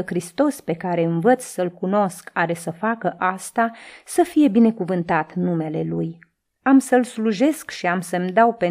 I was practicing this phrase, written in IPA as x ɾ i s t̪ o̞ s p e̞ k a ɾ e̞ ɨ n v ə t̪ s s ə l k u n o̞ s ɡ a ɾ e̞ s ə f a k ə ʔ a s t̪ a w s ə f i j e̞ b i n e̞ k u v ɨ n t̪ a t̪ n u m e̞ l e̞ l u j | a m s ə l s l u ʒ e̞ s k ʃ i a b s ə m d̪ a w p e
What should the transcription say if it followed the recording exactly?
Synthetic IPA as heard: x ɾ i s t̪ o̞ s p e̞ k a ɾ e̞ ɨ n v ə t̪ s s ə l k u n o̞ s k a ɾ e̞ s ə f a k ə ʔ a s t̪ a s ə f i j e̞ b i n e̞ k u v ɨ n t̪ a t̪ n u m e̞ l e̞ l u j | a m s ə l s l u ʒ e̞ s k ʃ i a m s ə m d̪ a w p e